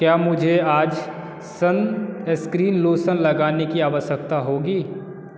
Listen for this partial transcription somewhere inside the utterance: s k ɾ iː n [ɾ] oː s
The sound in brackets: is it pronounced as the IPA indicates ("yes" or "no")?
no